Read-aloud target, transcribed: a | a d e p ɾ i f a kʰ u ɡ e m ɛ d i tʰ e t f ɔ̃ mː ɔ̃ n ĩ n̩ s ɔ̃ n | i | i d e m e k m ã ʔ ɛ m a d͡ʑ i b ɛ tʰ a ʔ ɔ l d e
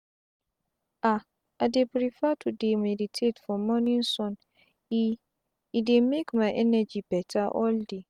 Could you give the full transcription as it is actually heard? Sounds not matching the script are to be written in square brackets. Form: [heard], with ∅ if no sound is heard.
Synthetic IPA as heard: a | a d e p ɾ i f a [tʰ] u [d] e m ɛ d i tʰ e t f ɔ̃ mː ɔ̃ n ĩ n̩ s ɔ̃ n | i | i d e m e k m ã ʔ ɛ [n] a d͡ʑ i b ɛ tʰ a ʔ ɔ l d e